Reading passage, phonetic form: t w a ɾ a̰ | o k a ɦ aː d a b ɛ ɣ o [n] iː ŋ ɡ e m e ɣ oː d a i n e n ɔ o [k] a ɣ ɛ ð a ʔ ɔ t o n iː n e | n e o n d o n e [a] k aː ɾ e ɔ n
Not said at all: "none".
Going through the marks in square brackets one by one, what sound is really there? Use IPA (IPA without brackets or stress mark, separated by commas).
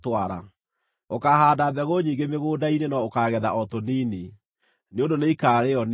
ɲ, k, i